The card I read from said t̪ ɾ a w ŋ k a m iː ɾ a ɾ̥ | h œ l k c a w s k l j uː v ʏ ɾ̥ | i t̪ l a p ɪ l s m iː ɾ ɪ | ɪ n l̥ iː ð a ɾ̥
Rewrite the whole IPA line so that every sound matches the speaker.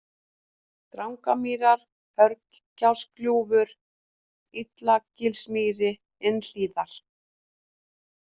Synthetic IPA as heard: t̪ ɾ a w ŋ k a m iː ɾ a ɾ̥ | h œ ɾ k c a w s k l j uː v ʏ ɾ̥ | i t̪ l a c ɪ l s m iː ɾ ɪ | ɪ n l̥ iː ð a ɾ̥